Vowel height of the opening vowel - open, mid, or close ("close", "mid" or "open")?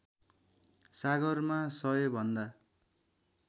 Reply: open